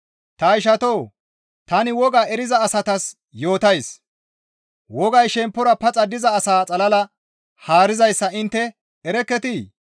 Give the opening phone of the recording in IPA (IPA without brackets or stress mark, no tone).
t̪